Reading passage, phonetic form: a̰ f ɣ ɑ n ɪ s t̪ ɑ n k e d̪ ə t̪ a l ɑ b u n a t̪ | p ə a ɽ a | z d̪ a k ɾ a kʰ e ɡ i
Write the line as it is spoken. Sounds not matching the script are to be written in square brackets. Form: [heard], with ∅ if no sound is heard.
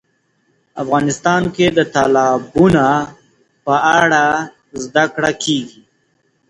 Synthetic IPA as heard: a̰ f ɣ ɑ n ɪ s t̪ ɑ n k e d̪ ə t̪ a l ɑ b u n a [∅] | p ə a ɽ a | z d̪ a k [ɽ] a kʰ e ɡ i